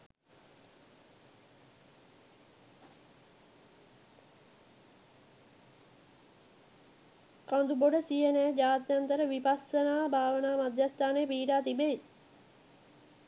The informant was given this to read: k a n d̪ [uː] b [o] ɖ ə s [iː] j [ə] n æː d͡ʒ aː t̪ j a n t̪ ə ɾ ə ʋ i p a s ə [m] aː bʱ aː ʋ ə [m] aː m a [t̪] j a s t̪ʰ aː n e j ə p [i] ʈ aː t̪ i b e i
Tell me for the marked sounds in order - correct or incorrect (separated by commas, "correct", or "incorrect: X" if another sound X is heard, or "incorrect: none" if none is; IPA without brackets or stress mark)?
incorrect: u, correct, incorrect: i, correct, incorrect: n, incorrect: n, incorrect: d̪, incorrect: iː